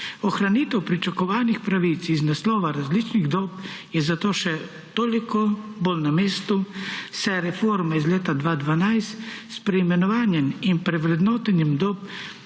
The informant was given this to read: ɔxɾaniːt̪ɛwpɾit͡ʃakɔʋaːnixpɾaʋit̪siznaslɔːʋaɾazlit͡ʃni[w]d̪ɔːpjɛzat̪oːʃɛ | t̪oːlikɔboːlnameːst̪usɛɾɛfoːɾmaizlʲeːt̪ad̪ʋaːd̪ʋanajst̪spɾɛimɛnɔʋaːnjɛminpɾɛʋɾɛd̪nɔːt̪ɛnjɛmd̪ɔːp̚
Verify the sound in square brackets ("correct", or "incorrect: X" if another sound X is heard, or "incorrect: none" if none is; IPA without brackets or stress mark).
incorrect: ɣ